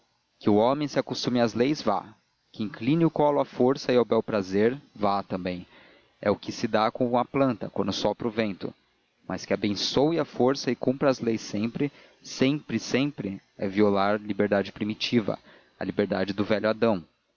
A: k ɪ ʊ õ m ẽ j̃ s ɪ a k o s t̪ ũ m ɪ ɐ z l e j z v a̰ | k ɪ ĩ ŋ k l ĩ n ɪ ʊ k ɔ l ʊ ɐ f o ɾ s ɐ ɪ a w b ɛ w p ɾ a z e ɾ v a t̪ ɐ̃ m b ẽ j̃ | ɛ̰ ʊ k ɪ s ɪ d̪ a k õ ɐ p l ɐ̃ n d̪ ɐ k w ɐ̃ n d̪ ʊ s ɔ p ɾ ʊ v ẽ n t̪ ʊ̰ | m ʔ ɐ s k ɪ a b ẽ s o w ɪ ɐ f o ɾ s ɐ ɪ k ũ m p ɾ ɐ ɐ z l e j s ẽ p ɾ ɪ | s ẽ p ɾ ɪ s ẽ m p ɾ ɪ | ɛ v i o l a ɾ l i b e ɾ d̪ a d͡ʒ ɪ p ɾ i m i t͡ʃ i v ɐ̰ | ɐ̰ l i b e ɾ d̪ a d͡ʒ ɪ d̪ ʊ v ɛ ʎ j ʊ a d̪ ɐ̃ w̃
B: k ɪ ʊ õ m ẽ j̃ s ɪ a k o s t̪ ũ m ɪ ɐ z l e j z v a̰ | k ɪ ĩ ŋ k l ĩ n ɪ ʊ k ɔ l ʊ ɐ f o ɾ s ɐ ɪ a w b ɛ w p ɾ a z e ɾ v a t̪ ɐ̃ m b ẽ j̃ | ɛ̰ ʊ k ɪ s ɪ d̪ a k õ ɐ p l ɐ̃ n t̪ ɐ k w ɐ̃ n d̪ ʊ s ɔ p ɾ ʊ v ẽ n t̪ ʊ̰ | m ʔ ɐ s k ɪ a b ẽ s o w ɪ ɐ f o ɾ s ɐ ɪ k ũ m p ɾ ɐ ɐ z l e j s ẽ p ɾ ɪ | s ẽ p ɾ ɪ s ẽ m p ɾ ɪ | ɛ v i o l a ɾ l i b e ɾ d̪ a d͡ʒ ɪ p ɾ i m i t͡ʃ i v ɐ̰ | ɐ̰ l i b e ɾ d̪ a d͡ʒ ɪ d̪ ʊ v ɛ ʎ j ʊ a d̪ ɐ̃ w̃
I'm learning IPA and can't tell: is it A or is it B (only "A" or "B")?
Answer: B